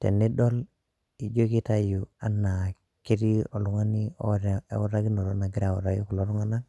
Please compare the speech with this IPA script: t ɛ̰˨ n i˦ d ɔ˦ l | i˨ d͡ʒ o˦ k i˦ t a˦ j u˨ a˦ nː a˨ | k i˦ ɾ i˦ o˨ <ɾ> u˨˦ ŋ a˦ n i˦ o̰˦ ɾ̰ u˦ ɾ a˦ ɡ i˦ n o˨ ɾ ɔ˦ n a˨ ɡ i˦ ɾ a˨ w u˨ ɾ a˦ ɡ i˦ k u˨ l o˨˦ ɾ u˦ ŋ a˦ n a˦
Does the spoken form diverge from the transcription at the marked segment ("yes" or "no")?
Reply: yes